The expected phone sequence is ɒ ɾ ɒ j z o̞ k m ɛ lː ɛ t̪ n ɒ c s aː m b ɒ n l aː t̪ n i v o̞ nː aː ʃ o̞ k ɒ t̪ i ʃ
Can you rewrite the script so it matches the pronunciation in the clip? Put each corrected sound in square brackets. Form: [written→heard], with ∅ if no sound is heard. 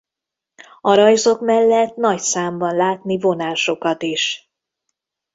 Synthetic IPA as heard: ɒ ɾ ɒ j z o̞ k m ɛ lː ɛ t̪ n ɒ c s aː m b ɒ n l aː t̪ n i v o̞ [nː→n] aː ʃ o̞ k ɒ t̪ i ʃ

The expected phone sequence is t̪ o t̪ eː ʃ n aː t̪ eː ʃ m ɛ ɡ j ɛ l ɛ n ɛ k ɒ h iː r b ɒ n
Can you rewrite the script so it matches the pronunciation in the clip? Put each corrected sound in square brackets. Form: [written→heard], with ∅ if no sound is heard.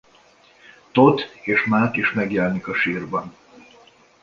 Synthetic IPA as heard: t̪ o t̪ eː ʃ [n→m] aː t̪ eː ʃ m ɛ ɡ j ɛ l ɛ n [ɛ→i] k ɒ [h→ʃ] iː r b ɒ n

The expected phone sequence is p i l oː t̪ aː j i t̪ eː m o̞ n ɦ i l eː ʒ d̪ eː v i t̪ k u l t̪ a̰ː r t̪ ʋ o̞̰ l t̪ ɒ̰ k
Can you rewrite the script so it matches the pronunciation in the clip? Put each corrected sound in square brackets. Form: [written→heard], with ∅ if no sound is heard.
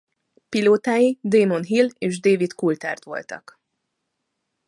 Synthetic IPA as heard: p i l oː t̪ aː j i [t̪→d̪] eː m o̞ n ɦ i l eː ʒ d̪ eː v i t̪ k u l t̪ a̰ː r t̪ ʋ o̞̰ l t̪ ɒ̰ k

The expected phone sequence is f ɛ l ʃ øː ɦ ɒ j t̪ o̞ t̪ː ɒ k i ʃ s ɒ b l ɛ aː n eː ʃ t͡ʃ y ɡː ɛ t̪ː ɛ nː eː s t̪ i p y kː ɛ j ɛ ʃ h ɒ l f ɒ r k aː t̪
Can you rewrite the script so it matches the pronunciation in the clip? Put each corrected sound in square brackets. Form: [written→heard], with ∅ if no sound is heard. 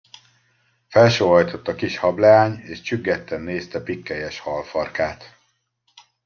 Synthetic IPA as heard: f ɛ l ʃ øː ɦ ɒ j t̪ o̞ t̪ː ɒ k i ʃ [s→h] ɒ b l ɛ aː [n→ɲ] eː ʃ t͡ʃ y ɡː ɛ t̪ː ɛ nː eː s t̪ [i→ɛ] p [y→i] kː ɛ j ɛ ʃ h ɒ l f ɒ r k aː t̪

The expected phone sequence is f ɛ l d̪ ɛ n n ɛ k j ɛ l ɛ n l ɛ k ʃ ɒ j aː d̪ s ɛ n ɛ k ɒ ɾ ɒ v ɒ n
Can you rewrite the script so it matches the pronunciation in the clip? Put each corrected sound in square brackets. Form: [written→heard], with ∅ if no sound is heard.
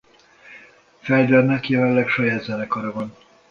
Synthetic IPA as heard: f ɛ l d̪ ɛ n n ɛ k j ɛ l ɛ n l ɛ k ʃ ɒ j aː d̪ [s→z] ɛ n ɛ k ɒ ɾ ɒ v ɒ n

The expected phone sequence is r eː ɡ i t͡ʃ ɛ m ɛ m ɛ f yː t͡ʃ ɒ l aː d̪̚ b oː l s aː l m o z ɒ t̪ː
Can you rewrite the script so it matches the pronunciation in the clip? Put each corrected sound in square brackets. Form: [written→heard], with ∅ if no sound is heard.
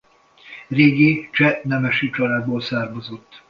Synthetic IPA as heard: r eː ɡ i t͡ʃ ɛ [m→n] ɛ m ɛ [f→ʃ] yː t͡ʃ ɒ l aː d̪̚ b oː l s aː [l→r] m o z [ɒ→o] t̪ː

